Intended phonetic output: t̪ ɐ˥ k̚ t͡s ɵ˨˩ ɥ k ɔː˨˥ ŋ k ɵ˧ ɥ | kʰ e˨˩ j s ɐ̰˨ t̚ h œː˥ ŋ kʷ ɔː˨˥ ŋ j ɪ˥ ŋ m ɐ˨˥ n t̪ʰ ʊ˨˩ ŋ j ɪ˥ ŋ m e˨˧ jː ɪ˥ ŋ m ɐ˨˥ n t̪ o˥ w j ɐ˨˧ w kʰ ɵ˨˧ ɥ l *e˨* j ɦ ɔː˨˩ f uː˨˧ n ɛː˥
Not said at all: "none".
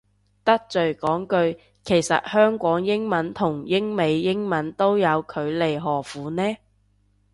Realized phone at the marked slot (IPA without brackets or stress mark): e˨